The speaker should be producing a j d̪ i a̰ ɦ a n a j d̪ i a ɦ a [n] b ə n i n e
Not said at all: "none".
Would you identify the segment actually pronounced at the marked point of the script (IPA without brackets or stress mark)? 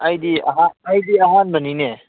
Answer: n